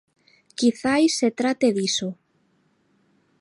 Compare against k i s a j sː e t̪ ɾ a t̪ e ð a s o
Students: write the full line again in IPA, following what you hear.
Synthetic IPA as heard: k i θ a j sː e t̪ ɾ a t̪ e ð i s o